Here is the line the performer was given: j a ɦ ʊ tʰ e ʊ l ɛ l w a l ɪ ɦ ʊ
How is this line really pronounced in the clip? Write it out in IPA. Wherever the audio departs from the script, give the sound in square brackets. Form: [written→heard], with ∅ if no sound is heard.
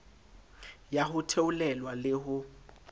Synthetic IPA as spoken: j a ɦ ʊ tʰ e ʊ l ɛ l w a l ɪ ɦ ʊ